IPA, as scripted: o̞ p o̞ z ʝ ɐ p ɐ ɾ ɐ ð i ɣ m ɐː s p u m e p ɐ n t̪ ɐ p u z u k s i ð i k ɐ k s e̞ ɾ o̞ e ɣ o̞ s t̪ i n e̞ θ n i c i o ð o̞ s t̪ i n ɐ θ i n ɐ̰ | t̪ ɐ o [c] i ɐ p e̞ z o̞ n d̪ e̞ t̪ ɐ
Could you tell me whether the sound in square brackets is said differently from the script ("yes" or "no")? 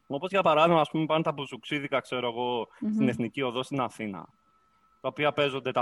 yes